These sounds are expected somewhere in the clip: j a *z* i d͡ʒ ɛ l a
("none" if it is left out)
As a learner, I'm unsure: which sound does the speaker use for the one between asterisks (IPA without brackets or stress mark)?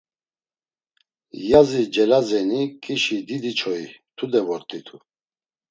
z